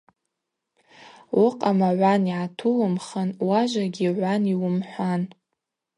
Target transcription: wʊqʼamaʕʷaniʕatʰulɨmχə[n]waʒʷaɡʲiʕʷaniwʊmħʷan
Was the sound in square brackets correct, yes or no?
yes